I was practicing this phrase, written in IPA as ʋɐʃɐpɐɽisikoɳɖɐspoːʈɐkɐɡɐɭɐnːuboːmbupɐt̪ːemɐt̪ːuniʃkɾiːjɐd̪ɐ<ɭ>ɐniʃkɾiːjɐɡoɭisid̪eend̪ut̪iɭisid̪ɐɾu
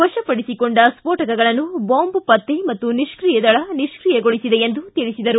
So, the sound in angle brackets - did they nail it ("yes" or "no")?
yes